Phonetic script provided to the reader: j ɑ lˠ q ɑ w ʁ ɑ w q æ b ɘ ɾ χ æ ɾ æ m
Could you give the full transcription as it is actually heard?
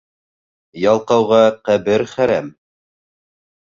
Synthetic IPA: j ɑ lˠ q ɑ w ʁ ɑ q æ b ɘ ɾ χ æ ɾ æ m